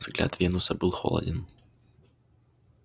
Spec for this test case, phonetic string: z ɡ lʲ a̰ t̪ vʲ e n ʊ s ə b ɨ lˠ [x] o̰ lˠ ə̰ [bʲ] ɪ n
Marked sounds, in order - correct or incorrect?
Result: correct, incorrect: dʲ

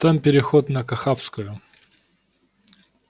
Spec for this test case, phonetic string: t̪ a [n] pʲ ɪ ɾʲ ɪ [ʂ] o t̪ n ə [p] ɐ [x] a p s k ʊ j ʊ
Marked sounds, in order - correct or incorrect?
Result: incorrect: m, incorrect: x, incorrect: k, correct

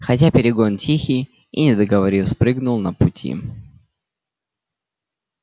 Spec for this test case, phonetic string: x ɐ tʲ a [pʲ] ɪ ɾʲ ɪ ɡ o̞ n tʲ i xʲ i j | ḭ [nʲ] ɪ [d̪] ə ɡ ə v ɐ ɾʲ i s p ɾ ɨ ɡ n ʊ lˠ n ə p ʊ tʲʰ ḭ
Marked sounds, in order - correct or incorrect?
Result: correct, correct, correct

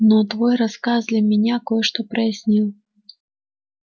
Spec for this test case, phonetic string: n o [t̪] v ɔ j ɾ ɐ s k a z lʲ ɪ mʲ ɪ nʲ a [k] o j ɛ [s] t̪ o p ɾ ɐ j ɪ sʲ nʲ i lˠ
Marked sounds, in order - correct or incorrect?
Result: correct, correct, incorrect: ʂ

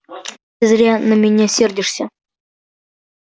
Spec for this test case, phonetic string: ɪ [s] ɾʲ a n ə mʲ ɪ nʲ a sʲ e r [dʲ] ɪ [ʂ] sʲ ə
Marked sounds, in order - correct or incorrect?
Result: incorrect: z, correct, correct

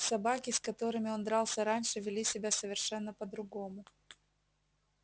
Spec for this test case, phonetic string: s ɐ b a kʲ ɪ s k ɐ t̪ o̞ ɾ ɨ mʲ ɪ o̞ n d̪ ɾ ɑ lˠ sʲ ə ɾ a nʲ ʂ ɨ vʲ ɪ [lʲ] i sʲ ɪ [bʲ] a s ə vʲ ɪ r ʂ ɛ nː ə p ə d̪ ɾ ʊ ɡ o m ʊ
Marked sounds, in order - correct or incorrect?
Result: correct, correct

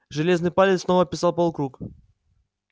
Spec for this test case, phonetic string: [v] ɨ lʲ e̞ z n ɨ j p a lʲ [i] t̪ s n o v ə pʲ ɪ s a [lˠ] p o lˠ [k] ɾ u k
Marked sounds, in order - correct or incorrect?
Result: incorrect: ʐ, incorrect: ɪ, correct, correct

